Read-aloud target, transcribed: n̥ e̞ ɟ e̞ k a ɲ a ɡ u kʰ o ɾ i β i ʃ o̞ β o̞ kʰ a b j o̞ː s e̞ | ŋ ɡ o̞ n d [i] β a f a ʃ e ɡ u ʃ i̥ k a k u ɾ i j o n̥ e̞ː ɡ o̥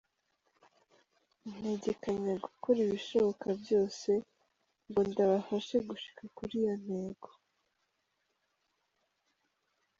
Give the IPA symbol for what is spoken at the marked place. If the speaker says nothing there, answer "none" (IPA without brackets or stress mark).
a